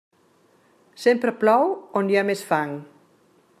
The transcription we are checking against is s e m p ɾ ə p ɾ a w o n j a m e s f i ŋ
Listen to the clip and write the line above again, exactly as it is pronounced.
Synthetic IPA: s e m p ɾ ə p l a w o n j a m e s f a ŋ